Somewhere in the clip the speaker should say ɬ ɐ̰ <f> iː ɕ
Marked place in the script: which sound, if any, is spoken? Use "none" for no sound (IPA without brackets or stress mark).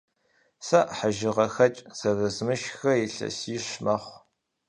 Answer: s